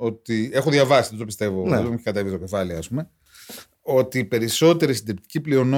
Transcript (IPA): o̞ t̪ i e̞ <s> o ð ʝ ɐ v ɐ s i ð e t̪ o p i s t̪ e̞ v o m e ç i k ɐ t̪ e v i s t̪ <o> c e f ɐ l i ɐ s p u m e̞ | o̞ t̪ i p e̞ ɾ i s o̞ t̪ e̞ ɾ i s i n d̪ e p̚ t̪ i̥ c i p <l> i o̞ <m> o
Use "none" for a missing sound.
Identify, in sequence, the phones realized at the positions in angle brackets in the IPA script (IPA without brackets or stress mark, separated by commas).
x, o, l, n